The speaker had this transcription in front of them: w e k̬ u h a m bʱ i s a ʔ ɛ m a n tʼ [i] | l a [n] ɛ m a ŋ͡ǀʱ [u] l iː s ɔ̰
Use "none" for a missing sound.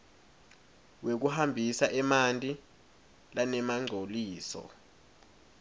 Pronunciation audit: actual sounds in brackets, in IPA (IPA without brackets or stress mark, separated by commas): i, n, o